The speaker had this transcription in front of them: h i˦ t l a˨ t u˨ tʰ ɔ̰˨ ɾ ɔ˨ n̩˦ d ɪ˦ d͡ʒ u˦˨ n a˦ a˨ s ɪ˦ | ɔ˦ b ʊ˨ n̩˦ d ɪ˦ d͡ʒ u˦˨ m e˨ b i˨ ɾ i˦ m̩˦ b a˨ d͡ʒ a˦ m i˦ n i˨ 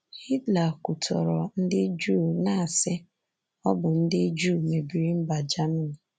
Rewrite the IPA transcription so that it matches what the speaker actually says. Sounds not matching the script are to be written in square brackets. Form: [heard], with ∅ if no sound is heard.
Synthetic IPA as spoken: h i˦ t l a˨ [k] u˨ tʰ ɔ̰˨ ɾ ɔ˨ n̩˦ d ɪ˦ d͡ʒ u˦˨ n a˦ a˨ s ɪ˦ | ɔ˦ b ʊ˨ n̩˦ d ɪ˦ d͡ʒ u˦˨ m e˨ b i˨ ɾ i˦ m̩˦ b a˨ d͡ʒ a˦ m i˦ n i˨

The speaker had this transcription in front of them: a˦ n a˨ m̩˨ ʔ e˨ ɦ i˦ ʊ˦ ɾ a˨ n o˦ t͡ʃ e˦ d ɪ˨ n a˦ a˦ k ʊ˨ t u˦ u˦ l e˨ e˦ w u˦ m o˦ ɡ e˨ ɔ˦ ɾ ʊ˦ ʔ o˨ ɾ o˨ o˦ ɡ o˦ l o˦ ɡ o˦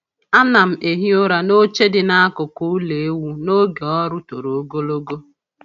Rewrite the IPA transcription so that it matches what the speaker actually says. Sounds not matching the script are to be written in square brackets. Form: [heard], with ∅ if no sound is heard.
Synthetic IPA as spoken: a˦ n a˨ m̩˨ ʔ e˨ ɦ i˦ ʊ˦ ɾ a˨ n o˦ t͡ʃ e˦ d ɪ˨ n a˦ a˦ k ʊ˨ [k] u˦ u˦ l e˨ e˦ w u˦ [n] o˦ ɡ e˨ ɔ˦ ɾ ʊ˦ [t] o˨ ɾ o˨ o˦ ɡ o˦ l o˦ ɡ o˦

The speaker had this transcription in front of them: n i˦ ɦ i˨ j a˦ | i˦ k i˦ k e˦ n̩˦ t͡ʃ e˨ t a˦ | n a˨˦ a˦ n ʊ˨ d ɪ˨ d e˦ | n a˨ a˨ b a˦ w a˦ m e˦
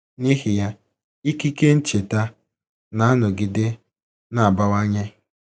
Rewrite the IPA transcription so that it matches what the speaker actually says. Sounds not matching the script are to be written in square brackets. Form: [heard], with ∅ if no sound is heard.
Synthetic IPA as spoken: n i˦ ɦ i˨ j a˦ | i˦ k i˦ k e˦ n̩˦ t͡ʃ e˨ t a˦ | n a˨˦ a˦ n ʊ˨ [ɡ] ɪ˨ d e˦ | n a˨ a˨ b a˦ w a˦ [ɲ] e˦

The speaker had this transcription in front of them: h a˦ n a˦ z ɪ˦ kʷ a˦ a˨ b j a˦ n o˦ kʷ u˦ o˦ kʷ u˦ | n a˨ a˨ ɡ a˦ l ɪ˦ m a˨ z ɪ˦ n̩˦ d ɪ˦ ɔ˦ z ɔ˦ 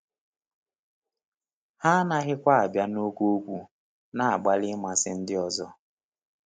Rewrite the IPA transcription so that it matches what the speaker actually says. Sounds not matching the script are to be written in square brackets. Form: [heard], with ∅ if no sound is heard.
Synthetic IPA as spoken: h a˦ n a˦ [ɣ] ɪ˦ kʷ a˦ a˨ b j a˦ n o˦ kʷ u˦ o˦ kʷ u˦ | n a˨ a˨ [ɡ͡b] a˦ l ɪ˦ m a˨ [s] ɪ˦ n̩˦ d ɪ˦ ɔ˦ z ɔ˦

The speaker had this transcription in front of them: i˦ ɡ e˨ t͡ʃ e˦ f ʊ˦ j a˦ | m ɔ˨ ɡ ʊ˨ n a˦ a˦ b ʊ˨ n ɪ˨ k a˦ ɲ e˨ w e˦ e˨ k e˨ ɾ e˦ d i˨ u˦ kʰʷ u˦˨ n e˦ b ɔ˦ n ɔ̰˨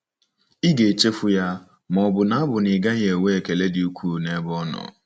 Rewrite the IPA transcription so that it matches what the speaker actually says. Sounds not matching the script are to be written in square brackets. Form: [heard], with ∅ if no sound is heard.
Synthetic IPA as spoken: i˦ ɡ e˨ t͡ʃ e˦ f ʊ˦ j a˦ | m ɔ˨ [b] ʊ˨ n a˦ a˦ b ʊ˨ n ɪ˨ [ɡ] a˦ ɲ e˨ w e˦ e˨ k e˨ [l] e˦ d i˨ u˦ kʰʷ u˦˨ n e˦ b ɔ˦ n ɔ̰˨

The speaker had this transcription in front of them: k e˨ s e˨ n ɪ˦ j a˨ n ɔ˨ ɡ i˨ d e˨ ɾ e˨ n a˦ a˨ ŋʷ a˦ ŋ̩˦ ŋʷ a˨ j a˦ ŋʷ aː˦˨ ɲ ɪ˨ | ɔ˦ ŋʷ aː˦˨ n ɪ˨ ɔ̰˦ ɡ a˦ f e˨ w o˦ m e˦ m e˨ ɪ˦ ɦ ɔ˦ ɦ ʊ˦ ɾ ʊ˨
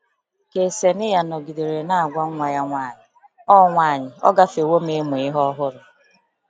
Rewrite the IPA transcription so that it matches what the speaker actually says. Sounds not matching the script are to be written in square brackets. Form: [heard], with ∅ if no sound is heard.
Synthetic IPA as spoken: k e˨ s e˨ n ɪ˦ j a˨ n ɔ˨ ɡ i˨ d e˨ ɾ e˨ n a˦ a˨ [ɡʷ] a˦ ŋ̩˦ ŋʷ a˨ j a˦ ŋʷ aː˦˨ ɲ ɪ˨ | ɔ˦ ŋʷ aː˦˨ [ɲ] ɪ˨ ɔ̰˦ ɡ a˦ f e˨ w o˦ m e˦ m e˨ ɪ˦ ɦ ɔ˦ ɦ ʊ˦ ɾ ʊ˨

